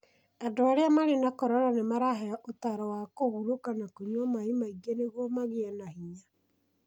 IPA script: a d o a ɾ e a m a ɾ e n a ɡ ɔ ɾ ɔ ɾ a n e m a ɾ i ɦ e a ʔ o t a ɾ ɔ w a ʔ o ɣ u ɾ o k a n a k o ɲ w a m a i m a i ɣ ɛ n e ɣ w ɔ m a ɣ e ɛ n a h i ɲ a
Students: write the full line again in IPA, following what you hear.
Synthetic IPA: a d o a ɾ e a m a ɾ e n a k ɔ ɾ ɔ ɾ a n e m a ɾ a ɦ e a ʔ o t a ɾ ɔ w a k o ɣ u ɾ o k a n a k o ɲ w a m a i m a i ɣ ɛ n e ɣ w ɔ m a ɣ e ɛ n a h i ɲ a